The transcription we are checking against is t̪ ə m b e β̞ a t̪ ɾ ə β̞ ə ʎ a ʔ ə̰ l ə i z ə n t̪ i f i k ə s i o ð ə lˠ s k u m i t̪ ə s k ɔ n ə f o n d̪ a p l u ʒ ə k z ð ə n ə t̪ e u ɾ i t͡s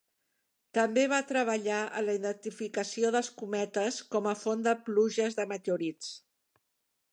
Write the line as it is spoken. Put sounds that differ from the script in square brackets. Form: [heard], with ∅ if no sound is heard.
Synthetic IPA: t̪ ə m b e β̞ a t̪ ɾ ə β̞ ə ʎ a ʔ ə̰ l ə i [ð] ə n t̪ i f i k ə s i o ð ə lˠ s k u m [ɛ] t̪ ə s k ɔ [m] ə f o n d̪ [ə] p l u ʒ ə [∅] z ð ə [m] ə t̪ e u ɾ i t͡s